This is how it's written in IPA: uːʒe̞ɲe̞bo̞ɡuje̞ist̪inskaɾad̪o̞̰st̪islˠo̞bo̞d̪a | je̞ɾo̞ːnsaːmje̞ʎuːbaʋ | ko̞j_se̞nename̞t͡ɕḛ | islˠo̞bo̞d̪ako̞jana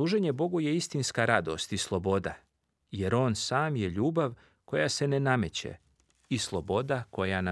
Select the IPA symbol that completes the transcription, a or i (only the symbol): a